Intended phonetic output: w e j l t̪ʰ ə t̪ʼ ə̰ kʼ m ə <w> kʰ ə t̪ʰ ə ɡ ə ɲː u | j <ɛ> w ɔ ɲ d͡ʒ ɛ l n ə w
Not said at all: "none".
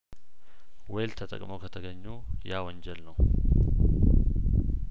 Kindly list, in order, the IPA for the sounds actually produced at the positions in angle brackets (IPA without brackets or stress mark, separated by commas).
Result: w, a